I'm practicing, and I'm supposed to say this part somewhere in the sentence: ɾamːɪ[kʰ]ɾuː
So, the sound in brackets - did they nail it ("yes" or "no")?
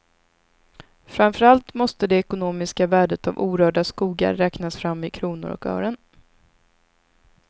yes